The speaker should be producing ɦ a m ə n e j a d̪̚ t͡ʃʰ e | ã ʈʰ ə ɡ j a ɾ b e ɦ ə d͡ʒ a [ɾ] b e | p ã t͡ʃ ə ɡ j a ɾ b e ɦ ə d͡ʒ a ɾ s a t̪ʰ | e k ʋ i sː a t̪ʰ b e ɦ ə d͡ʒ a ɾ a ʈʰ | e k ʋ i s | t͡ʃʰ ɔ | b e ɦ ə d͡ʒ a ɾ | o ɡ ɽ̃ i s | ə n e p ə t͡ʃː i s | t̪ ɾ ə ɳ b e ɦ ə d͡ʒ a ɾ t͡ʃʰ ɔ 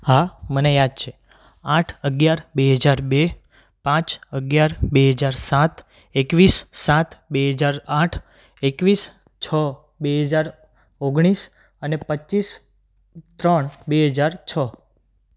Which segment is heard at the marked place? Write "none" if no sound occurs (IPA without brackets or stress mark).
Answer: ɾ